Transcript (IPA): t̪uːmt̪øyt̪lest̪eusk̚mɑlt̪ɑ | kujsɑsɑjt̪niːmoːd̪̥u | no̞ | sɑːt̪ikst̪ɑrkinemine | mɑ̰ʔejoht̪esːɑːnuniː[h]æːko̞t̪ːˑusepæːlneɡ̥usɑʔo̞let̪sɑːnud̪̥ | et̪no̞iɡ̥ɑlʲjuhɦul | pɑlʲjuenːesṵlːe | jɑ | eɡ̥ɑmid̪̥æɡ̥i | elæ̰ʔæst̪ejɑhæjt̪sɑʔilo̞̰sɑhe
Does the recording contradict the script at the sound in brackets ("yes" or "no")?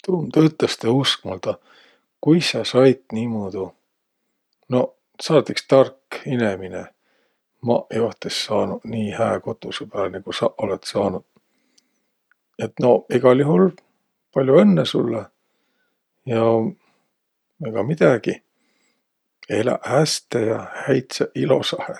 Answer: no